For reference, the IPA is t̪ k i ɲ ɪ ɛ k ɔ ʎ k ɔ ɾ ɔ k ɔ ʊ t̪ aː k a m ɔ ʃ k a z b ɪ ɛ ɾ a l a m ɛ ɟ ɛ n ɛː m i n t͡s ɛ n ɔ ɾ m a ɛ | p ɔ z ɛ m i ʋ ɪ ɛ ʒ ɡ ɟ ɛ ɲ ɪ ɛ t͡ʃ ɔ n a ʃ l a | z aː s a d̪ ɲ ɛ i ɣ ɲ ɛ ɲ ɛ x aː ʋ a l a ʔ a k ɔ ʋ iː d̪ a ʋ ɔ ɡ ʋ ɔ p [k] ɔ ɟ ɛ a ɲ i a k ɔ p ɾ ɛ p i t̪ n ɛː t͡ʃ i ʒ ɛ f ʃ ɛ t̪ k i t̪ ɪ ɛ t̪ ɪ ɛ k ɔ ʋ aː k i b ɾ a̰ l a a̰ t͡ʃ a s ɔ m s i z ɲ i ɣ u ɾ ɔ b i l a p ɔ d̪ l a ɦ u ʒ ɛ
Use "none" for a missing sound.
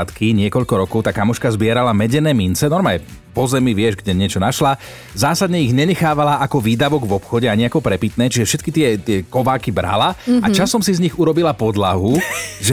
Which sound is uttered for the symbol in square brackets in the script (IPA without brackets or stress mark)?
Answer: x